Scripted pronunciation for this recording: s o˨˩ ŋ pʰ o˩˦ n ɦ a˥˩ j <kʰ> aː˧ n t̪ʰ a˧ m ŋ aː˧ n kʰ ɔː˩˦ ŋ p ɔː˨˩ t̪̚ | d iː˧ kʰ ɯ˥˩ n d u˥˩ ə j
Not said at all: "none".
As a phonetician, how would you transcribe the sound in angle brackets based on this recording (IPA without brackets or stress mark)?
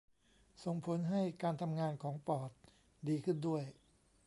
k